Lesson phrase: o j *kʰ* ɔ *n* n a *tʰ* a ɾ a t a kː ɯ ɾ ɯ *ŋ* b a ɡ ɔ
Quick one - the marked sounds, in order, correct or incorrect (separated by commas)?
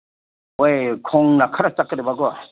correct, incorrect, incorrect, incorrect